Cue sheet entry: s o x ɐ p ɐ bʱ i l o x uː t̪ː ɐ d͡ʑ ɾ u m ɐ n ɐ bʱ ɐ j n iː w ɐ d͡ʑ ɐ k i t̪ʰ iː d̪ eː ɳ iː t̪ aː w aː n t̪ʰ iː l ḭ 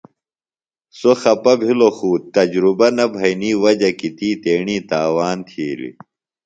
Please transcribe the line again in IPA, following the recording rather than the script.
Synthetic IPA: s o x ɐ p ɐ bʱ i l o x uː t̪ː ɐ d͡ʑ ɾ u b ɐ n ɐ bʱ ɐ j n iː w ɐ d͡ʑ ɐ k i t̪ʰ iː t̪ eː ɳ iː t̪ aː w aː n t̪ʰ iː l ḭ